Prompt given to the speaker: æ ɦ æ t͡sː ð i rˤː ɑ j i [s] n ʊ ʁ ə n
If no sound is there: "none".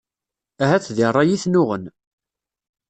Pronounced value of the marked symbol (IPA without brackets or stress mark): θ